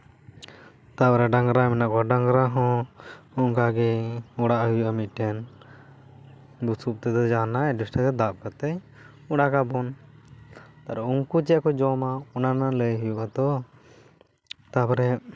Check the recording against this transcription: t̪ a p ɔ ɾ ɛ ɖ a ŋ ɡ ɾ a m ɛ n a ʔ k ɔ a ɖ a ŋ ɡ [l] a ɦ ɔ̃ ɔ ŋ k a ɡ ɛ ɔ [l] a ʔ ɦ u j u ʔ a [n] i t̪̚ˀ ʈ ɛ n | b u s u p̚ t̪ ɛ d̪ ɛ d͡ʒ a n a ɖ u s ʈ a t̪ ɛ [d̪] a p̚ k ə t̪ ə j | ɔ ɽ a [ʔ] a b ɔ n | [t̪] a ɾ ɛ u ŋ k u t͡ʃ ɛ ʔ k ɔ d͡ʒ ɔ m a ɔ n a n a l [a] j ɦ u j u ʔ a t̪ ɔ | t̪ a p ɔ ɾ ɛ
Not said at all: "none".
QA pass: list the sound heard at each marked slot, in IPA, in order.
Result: ɾ, ɽ, m, d̪, k, t̪, ə

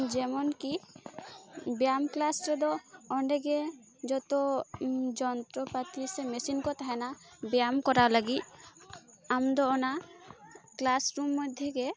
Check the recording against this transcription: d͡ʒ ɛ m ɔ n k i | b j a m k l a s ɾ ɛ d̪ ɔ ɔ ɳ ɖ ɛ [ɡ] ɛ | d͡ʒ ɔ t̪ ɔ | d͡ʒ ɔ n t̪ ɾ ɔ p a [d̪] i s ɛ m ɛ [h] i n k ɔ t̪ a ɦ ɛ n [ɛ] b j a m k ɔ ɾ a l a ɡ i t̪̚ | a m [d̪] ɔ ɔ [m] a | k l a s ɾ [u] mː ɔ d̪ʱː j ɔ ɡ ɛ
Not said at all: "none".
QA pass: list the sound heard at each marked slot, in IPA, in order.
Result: ɡ, t̪, s, a, d̪, n, u

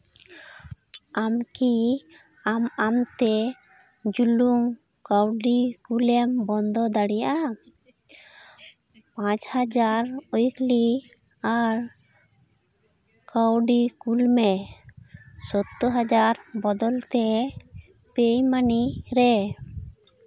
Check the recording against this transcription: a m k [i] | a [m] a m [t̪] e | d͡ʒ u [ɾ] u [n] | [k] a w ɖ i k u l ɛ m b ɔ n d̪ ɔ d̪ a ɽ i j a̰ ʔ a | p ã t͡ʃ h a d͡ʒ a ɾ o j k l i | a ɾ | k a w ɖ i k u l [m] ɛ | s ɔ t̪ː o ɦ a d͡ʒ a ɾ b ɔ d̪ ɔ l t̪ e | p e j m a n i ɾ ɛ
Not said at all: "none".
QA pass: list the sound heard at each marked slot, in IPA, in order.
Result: i, m, t̪, l, ŋ, k, m

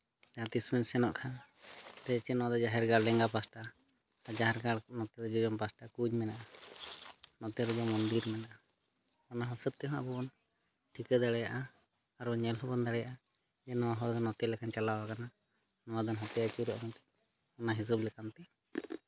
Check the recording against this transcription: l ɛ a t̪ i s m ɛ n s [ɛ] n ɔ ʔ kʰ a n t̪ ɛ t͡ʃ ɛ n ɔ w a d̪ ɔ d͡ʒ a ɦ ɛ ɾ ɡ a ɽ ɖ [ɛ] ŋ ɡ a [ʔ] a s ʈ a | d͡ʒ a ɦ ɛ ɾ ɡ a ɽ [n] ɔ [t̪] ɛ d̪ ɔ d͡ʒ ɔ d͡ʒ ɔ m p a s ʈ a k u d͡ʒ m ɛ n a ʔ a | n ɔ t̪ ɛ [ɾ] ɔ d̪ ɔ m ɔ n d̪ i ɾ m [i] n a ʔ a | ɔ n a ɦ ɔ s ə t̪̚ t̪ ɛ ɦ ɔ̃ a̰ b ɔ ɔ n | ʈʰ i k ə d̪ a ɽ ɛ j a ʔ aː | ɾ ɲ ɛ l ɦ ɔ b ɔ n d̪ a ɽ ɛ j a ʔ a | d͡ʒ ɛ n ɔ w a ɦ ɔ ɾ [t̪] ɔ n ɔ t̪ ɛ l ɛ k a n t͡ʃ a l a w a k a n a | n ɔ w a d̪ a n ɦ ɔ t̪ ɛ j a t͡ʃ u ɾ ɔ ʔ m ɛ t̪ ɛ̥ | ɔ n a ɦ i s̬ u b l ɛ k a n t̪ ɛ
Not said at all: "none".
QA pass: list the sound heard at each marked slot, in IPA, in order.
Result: ɛ, ɛ, p, n, t̪, ɾ, ɛ, d̪

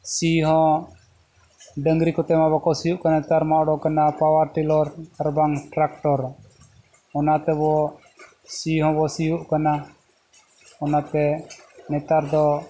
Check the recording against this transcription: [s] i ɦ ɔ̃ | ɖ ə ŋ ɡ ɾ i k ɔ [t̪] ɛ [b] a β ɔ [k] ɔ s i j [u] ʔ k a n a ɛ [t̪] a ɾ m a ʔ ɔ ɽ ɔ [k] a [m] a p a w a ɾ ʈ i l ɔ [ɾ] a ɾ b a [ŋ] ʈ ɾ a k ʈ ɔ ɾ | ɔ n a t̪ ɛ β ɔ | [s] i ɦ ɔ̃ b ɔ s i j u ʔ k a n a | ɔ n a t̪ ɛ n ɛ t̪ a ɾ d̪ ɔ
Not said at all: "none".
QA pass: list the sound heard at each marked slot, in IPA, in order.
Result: s, t̪, m, k, u, t̪, k, n, ɾ, ŋ, s

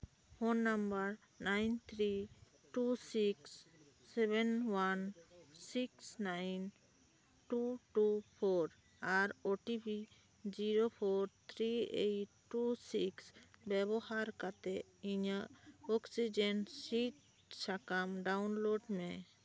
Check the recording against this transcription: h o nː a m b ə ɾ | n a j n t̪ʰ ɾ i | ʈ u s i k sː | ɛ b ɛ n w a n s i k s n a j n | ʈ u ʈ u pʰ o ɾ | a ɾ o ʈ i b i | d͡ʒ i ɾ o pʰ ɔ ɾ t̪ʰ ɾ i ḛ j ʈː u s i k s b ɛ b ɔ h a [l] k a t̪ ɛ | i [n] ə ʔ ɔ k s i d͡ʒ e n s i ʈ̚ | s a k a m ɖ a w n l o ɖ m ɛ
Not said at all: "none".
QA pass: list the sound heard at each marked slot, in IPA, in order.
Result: ɾ, ɲ

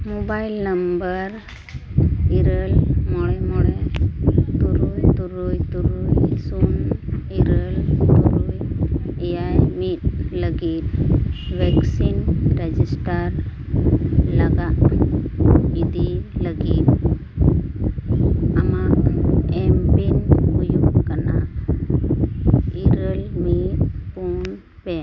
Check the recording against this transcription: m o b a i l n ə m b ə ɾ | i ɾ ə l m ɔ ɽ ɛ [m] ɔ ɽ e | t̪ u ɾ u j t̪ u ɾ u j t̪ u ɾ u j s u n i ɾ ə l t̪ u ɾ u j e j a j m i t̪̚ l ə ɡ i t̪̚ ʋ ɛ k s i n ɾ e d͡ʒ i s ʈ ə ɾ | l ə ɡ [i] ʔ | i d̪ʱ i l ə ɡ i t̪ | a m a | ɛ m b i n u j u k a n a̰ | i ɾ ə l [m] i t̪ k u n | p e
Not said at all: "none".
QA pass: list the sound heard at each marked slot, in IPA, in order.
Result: m, a, m

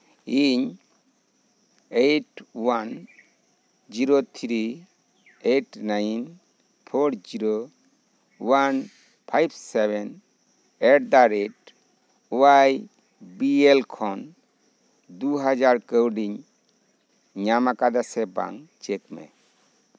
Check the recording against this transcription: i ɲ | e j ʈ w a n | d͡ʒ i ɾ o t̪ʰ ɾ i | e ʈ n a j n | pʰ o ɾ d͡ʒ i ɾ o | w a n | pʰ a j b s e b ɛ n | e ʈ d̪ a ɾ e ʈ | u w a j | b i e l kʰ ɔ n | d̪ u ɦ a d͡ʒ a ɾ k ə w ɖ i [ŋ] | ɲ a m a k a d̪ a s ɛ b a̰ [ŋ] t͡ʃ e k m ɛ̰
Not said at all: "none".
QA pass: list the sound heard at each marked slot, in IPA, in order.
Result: ɲ, ŋ

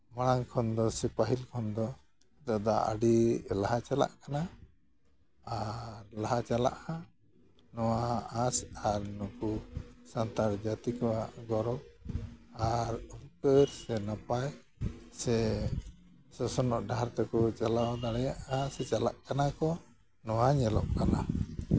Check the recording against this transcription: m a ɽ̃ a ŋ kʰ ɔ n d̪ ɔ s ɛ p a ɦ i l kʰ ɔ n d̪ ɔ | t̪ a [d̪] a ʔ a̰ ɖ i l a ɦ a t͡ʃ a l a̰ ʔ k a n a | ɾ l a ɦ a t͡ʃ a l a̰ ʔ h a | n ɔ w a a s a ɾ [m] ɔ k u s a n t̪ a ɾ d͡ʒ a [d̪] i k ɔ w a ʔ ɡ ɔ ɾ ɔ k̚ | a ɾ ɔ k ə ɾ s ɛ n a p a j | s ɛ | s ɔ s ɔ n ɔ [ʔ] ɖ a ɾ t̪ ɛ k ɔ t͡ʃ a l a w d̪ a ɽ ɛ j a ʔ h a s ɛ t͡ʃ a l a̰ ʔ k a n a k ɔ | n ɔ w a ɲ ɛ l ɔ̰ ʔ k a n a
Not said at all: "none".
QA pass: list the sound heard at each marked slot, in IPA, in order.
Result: d̪, n, t̪, ʔ

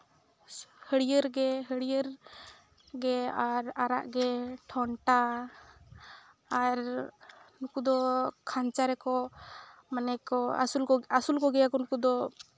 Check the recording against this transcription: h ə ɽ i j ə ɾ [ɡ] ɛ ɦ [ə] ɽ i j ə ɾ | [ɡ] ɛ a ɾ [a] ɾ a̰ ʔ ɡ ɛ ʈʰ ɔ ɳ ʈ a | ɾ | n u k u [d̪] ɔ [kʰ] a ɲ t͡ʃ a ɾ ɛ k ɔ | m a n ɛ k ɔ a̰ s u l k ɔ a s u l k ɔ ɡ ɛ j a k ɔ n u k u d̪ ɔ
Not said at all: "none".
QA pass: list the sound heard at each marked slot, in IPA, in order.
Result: ɡ, ə, ɡ, a, d̪, kʰ

